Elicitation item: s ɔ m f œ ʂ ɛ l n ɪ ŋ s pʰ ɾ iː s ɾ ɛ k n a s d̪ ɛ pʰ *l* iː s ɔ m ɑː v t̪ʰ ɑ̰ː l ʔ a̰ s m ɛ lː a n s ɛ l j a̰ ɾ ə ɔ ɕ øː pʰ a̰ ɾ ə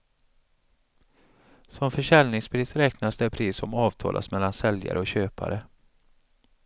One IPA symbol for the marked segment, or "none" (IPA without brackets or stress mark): ɾ